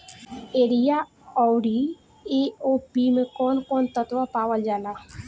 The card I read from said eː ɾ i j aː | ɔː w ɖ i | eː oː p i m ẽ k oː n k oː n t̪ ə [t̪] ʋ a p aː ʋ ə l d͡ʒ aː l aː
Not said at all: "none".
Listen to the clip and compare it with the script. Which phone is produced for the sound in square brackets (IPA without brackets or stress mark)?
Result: t̪